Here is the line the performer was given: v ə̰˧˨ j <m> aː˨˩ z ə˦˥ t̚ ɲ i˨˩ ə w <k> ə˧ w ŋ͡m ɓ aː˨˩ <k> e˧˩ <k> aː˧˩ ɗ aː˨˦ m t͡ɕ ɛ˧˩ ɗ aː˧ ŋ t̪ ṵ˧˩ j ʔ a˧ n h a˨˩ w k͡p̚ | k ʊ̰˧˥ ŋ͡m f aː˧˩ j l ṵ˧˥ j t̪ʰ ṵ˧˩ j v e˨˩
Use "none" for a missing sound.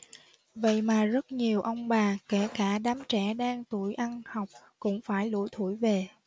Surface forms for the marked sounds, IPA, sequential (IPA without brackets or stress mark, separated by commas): m, ʔ, k, k